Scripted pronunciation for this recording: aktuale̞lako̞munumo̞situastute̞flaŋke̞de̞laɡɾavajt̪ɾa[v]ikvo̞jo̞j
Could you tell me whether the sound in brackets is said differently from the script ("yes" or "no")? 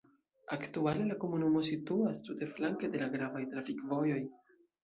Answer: yes